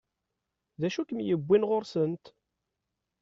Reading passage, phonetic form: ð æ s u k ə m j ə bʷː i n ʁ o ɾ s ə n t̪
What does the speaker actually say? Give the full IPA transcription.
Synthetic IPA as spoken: ð æ ʃ u k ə m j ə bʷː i n ʁ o ɾ s ə n t̪